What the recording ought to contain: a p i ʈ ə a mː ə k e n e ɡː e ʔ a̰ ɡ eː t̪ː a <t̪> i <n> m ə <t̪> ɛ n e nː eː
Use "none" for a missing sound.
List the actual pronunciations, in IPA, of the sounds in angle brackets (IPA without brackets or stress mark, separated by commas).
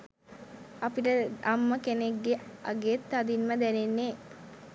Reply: d̪, n, d̪